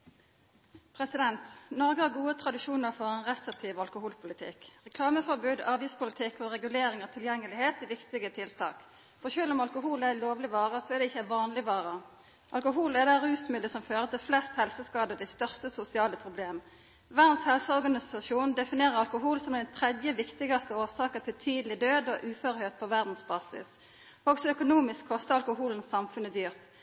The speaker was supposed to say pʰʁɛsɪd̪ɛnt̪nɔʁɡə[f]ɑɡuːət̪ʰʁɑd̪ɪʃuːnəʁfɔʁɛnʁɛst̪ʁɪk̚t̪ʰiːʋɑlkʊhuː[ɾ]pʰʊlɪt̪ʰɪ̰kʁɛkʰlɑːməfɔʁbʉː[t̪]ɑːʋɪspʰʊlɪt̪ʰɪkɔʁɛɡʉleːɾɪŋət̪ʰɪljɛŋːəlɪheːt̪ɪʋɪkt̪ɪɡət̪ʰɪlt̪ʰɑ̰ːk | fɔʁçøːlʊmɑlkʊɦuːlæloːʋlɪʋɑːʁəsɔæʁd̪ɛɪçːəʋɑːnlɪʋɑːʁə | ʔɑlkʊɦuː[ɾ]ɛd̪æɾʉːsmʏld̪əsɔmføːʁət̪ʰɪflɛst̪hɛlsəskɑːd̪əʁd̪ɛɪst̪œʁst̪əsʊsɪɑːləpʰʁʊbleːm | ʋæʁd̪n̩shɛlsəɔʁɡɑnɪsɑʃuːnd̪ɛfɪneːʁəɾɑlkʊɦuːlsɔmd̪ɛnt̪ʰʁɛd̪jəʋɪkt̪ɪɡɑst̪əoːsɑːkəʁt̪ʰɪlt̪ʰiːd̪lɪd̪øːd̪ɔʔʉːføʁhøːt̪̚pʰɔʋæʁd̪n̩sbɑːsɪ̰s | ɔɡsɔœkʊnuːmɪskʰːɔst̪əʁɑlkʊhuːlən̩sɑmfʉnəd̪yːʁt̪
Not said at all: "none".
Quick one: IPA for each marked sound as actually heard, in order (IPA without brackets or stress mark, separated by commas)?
h, l, d̪, l